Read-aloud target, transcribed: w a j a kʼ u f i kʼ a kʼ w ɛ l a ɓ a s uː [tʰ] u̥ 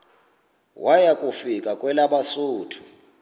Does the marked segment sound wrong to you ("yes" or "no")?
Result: no